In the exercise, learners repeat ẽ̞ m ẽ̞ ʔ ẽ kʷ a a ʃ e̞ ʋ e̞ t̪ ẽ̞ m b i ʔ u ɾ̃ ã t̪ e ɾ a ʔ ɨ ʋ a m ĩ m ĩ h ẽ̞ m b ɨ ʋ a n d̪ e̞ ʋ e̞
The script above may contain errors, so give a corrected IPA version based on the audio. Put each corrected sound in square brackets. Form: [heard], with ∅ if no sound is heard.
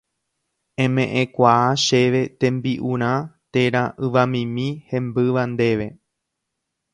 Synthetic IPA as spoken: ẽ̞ m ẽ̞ ʔ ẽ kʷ a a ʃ e̞ ʋ e̞ t̪ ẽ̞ m b i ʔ u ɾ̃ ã t̪ e ɾ a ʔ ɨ ʋ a m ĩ m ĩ h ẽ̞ m b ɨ ʋ a n d̪ e̞ ʋ e̞